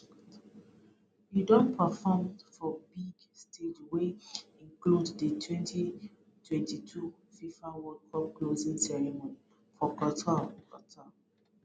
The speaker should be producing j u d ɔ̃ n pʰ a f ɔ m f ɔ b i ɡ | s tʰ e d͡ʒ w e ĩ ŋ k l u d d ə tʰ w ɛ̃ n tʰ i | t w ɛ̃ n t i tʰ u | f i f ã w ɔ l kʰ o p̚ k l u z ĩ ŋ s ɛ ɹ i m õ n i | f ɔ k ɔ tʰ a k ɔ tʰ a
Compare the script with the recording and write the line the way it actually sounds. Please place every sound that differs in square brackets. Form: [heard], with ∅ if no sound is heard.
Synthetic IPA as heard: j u d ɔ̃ n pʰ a f ɔ m f ɔ b i ɡ | s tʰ e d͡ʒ w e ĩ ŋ k l u d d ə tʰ w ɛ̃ n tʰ i | t w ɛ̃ n t i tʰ u | f i f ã w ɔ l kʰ [ɔ] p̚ k l [o] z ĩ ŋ s ɛ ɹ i m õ n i | f ɔ k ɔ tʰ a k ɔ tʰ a